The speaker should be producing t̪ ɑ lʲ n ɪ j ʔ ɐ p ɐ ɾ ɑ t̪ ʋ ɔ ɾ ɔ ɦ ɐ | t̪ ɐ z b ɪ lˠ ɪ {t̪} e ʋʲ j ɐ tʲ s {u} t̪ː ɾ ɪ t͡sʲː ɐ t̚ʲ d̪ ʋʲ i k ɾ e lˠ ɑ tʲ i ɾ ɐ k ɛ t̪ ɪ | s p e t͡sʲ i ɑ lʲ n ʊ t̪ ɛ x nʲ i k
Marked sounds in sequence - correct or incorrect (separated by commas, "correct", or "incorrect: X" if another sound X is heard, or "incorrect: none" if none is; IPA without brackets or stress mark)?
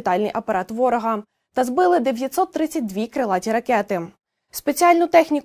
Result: incorrect: d̪, incorrect: ɔ